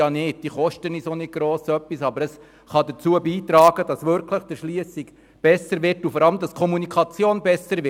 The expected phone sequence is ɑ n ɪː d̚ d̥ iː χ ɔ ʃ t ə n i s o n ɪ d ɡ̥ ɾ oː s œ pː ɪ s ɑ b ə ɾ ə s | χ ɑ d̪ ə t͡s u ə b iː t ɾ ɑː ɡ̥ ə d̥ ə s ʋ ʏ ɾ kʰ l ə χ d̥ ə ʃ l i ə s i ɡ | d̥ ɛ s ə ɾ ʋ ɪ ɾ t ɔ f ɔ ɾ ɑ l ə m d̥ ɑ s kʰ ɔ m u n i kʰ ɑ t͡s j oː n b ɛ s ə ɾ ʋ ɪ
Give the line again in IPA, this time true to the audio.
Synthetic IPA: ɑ n ɪː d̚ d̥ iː χ ɔ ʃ t ə n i s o n ɪ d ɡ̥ ɾ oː s œ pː i s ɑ b ə ɾ ə s | χ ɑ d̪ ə t͡s u ə b iː t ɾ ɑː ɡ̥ ə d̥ ɑ s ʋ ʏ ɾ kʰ l ə χ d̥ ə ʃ l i ə s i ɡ | b̥ ɛ s ə ɾ ʋ ɪ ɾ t u f ɔ ɾ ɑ l ə m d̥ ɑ s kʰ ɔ m u n i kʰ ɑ t͡s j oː n b ɛ s ə ɾ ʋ ɪ